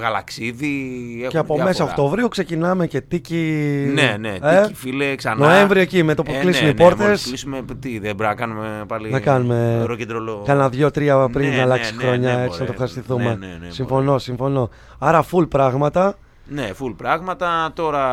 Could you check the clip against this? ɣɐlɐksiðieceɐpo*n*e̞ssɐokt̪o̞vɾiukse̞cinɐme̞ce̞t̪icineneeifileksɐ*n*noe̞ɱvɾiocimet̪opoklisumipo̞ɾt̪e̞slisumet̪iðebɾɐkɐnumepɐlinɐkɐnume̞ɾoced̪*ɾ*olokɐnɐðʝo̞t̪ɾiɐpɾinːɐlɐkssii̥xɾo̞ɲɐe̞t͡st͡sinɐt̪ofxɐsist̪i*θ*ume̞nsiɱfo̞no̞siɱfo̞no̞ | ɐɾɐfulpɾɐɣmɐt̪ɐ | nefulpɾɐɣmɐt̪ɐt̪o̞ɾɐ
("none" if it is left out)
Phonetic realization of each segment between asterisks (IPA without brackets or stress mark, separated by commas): m, n, ɾ, θ